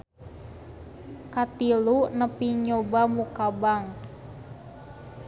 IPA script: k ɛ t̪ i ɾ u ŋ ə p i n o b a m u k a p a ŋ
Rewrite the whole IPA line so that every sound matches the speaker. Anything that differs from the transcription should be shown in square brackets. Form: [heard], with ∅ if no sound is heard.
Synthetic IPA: k [a] t̪ i [l] u [n] ə p i [ɲ] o b a m u k a [b] a ŋ